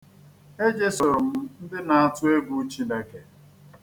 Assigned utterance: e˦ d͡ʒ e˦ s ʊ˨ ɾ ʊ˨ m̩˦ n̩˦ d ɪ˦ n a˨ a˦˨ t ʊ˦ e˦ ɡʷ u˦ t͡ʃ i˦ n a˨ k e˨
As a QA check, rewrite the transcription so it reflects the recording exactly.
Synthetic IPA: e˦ d͡ʒ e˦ s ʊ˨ ɾ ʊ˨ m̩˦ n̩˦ d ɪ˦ n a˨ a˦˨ t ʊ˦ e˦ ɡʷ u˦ t͡ʃ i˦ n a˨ k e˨